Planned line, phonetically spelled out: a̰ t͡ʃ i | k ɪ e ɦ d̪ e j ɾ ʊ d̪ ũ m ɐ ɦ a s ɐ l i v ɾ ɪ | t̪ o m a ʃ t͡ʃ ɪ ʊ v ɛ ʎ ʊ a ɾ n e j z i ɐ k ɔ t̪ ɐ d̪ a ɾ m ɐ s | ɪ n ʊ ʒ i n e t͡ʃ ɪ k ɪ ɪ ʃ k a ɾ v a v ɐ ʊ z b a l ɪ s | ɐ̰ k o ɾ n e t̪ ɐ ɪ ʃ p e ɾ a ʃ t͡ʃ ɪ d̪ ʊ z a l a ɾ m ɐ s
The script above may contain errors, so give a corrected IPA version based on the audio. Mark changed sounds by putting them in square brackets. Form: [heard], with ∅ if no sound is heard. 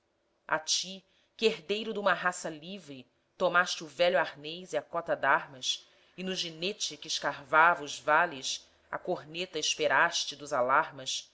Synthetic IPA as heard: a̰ t͡ʃ i | k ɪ e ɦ d̪ e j ɾ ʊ d̪ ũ m ɐ ɦ a s ɐ l i v ɾ ɪ | t̪ o m a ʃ t͡ʃ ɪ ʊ v ɛ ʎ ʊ a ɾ n e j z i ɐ k ɔ t̪ ɐ d̪ a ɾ m ɐ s | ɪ n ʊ ʒ i n e t͡ʃ ɪ k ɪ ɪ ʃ k a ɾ v a v ɐ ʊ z [v] a l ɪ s | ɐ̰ k o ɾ n e t̪ ɐ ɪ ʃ p e ɾ a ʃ t͡ʃ ɪ d̪ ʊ z a l a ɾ m ɐ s